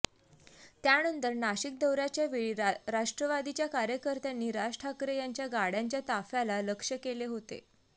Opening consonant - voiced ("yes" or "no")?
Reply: no